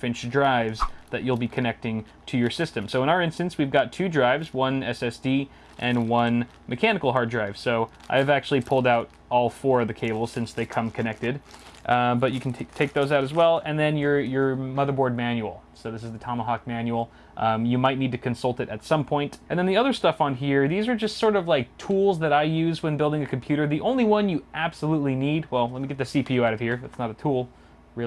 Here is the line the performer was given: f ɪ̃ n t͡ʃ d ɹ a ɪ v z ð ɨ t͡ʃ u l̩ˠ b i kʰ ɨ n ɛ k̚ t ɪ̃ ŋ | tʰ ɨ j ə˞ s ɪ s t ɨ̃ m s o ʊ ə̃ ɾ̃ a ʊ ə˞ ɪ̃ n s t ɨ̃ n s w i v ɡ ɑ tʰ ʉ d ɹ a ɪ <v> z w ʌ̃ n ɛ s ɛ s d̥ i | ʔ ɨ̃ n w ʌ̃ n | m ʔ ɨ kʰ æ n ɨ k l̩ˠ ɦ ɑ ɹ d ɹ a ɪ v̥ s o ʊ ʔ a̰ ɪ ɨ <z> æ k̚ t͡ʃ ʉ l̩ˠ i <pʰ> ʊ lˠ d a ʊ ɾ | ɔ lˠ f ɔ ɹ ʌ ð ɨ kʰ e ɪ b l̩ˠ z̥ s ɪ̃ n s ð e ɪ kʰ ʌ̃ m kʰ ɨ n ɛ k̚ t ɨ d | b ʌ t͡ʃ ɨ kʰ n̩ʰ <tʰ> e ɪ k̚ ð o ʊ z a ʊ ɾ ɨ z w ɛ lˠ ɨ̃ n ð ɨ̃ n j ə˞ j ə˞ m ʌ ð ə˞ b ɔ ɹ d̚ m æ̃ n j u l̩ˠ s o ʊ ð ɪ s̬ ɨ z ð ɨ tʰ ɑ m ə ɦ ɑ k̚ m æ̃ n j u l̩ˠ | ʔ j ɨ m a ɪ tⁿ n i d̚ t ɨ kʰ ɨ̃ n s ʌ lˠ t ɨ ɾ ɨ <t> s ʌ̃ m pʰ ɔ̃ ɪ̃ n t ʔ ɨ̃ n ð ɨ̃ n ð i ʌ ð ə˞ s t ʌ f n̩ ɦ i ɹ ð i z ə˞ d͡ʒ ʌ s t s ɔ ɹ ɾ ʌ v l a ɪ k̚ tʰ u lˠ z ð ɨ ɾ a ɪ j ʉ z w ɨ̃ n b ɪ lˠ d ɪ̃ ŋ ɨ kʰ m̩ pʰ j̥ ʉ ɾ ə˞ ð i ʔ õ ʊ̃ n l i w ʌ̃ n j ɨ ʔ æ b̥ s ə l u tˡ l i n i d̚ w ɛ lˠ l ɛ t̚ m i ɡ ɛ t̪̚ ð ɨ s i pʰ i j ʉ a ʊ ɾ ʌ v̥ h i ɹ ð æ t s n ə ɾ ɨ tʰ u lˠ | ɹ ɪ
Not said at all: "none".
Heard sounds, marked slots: v, v, pʰ, tʰ, t

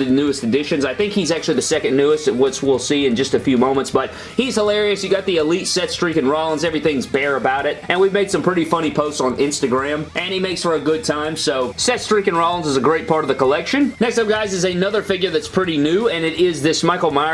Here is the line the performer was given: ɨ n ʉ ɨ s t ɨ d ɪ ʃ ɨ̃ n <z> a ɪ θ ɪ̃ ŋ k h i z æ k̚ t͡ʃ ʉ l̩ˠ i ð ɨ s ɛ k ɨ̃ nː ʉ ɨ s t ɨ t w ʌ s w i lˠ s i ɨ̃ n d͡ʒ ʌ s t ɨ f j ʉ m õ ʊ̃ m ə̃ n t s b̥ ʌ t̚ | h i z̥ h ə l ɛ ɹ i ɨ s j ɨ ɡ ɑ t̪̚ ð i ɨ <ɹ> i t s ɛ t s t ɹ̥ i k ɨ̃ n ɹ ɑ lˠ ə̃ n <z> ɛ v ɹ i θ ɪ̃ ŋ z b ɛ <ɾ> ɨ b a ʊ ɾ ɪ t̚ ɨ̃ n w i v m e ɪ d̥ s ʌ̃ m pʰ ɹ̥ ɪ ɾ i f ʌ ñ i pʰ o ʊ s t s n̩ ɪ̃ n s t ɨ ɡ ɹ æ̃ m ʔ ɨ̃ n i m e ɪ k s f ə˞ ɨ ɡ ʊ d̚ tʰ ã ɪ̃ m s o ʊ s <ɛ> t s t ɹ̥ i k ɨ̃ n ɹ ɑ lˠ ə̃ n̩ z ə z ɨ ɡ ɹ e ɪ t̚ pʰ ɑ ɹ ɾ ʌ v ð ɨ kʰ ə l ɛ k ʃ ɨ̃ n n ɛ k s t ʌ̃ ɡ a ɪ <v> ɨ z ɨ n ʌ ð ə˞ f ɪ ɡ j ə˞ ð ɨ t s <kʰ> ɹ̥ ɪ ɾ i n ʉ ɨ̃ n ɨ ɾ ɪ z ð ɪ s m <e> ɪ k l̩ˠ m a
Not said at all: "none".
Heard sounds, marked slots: z, l, z, ɹ, ɛ, z, pʰ, a

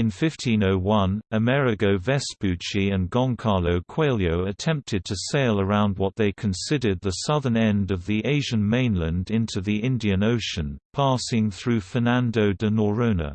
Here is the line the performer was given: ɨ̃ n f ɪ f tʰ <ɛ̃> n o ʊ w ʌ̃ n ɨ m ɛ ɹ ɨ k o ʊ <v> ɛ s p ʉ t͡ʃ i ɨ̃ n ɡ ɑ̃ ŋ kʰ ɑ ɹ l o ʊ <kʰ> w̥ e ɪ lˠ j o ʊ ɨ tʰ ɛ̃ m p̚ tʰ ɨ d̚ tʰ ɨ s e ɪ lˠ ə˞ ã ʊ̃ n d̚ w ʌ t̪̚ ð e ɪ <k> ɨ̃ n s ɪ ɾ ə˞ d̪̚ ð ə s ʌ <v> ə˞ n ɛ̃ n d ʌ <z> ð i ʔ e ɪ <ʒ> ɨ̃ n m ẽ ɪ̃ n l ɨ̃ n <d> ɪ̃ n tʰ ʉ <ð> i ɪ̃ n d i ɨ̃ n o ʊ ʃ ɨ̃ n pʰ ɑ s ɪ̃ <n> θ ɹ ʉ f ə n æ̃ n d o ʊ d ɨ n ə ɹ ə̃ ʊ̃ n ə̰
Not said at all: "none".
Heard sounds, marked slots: ĩ, v, kʰ, kʰ, ð, v, ʒ, d, ð, ŋ

